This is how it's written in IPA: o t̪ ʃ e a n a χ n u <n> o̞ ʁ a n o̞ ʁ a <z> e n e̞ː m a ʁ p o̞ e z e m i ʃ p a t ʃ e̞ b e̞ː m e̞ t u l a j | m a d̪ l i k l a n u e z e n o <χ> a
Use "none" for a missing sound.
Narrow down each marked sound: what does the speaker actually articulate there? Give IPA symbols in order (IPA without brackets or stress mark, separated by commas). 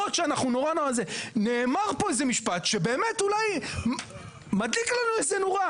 n, z, ʁ